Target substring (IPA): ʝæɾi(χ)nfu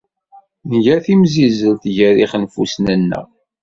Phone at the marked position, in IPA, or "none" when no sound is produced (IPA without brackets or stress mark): χ